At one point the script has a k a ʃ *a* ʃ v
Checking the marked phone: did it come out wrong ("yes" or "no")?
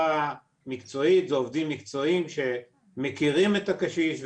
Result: yes